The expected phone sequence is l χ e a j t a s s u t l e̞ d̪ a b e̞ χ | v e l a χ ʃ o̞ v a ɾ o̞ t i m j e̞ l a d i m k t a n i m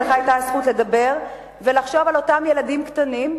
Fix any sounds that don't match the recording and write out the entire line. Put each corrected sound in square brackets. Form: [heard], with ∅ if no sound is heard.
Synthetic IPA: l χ [a] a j t a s [χ] u t l e̞ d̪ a b e̞ [ʁ] | v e l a χ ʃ o̞ v a [l] o̞ t [a] m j e̞ l a d i m k t a n i m